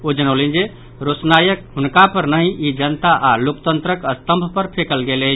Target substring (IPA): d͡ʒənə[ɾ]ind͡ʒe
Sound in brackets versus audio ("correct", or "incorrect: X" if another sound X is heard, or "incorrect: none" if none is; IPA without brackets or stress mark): incorrect: l